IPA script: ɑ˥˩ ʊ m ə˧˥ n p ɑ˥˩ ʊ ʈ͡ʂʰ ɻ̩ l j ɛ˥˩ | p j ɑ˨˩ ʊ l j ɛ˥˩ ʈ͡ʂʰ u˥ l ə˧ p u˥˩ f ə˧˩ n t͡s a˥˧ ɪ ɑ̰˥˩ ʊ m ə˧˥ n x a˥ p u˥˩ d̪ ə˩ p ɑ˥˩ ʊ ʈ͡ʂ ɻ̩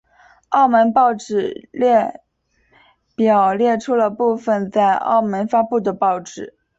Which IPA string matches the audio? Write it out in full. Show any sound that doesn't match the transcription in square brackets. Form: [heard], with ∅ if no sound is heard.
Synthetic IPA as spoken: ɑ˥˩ ʊ m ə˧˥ n p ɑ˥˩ ʊ [ʈ͡ʂ] ɻ̩ l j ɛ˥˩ | p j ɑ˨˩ ʊ l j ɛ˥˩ ʈ͡ʂʰ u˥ l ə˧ p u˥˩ f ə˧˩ n t͡s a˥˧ ɪ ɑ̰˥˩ ʊ m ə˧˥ n [f] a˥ p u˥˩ d̪ ə˩ p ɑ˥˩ ʊ ʈ͡ʂ ɻ̩